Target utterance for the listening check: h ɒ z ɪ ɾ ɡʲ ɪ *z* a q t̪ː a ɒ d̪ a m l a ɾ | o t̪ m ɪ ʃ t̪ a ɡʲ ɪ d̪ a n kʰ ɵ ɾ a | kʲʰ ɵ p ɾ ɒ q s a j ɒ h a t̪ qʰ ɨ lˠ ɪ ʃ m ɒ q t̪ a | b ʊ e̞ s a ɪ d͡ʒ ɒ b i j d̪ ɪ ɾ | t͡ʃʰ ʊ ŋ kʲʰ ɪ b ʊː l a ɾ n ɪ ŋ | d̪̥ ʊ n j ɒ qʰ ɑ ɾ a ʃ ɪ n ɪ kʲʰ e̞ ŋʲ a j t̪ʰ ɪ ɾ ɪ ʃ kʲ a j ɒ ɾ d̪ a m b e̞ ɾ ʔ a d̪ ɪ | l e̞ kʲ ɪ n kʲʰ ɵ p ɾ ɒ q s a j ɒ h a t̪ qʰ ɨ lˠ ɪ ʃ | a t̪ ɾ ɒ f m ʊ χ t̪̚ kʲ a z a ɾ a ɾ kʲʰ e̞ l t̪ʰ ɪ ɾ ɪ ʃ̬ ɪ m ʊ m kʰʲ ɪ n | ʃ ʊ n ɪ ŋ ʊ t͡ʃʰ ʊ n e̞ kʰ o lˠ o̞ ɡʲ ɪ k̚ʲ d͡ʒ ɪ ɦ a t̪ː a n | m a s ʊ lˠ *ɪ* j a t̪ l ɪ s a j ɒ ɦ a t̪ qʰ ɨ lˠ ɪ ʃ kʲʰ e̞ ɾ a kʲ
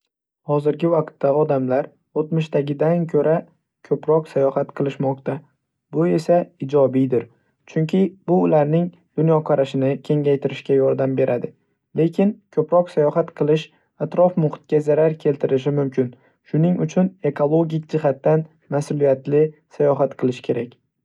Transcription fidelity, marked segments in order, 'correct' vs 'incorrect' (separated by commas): incorrect, incorrect